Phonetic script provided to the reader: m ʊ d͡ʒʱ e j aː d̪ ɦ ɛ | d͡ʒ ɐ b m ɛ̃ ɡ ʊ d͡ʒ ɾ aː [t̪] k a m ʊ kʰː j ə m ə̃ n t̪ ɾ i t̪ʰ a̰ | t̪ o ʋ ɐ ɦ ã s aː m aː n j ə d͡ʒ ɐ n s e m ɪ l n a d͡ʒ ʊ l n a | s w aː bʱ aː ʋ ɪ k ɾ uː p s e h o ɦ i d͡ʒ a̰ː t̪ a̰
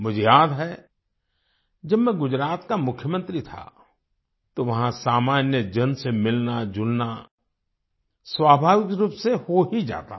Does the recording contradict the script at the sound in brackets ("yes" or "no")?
no